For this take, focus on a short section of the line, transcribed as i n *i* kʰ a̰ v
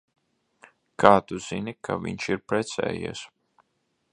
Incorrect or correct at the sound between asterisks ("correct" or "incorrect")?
correct